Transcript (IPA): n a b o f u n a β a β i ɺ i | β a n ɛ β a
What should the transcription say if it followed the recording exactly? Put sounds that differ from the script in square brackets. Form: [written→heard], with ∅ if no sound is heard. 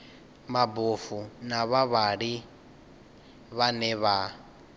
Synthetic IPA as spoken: [n→m] a b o f u n a β a β [i→a] ɺ i | β a n ɛ β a